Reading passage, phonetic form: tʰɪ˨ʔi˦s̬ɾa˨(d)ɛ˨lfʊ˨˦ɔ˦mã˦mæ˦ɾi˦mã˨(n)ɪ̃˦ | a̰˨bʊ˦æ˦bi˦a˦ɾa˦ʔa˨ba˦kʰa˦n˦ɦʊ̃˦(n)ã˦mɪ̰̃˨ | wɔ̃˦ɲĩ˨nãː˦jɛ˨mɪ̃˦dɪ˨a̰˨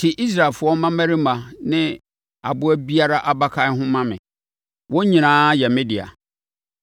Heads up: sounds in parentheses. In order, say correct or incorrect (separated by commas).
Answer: incorrect, correct, incorrect